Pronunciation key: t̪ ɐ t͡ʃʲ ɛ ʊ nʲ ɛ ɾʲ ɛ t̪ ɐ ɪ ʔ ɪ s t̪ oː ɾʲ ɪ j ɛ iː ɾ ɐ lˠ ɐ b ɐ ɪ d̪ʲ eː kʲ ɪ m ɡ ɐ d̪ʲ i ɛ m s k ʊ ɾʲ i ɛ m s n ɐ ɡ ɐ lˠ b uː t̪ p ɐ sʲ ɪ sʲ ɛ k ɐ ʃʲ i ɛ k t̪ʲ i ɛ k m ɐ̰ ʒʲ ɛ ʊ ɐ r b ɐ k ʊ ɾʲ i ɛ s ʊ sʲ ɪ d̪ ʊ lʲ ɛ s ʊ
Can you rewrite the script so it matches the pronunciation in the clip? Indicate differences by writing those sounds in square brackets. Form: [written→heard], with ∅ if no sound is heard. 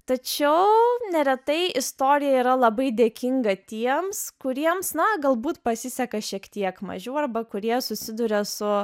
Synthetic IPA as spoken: t̪ ɐ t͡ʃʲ ɛ ʊ nʲ ɛ ɾʲ ɛ t̪ ɐ ɪ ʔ ɪ s t̪ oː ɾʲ ɪ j ɛ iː ɾ ɐ lˠ ɐ b ɐ ɪ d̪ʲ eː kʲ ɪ [m→ŋ] ɡ ɐ [d̪ʲ→t̪ʲ] i ɛ m s k ʊ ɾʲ i ɛ m s n ɐ ɡ ɐ lˠ b uː t̪ p ɐ sʲ ɪ sʲ ɛ k ɐ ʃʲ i ɛ k t̪ʲ i ɛ k m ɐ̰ ʒʲ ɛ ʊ ɐ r b ɐ k ʊ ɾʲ i ɛ s ʊ sʲ ɪ d̪ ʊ [lʲ→ɾʲ] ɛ s ʊ